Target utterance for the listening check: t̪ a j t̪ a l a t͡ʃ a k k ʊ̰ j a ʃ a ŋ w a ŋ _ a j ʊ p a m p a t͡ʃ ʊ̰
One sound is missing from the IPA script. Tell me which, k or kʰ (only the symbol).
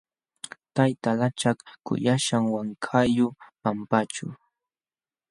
kʰ